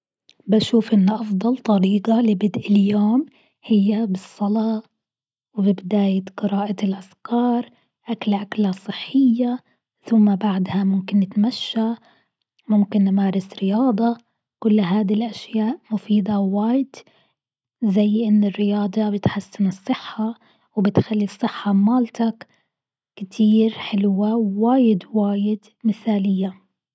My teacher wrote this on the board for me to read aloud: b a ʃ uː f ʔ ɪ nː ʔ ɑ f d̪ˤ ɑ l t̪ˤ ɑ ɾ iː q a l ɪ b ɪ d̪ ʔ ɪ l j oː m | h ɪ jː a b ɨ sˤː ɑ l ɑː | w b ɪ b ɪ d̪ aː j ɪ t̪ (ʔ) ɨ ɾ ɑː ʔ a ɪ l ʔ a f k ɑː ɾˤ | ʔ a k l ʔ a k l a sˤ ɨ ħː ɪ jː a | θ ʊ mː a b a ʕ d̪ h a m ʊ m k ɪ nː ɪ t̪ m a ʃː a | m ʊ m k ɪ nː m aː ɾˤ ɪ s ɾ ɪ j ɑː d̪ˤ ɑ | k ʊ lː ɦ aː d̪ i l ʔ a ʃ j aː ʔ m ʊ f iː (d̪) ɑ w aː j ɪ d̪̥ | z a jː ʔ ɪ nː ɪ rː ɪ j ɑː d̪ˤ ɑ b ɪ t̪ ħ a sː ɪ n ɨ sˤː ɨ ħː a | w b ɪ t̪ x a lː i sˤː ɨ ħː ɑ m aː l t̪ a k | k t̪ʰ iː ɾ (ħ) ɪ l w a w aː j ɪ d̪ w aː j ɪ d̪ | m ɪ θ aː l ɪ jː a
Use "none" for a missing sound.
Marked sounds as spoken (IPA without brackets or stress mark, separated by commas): q, d̪, ħ